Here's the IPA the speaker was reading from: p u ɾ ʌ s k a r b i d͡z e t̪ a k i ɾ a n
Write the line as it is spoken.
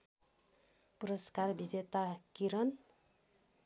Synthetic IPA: p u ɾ ʌ s k a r b i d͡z e t̪ a k i ɾ ʌ n